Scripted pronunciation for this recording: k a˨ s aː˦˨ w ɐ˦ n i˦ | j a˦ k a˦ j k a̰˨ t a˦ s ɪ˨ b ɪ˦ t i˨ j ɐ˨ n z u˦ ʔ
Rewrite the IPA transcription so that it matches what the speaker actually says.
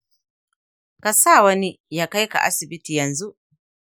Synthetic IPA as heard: k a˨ s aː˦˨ w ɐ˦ n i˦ | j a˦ k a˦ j k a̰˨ ʔ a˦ s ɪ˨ b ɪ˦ t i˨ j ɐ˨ n z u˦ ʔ